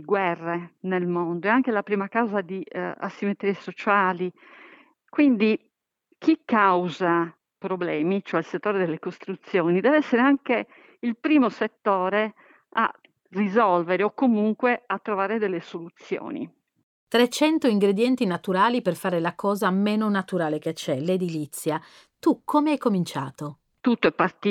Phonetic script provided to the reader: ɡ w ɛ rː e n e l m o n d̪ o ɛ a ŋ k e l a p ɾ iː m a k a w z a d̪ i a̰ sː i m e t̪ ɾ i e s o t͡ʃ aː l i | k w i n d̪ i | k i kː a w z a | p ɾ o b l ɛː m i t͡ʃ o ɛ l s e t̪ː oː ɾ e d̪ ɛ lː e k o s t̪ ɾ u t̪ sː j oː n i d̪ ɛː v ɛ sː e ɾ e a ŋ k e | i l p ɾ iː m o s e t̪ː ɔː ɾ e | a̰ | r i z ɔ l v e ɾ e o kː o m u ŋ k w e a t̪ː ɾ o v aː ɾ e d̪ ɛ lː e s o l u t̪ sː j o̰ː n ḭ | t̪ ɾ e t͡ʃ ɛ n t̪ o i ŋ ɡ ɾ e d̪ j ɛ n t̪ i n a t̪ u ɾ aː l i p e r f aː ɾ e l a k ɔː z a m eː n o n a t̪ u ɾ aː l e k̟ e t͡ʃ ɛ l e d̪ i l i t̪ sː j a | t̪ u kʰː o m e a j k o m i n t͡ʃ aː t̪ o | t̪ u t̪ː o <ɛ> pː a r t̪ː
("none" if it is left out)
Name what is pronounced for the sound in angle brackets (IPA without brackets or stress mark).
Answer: ɛ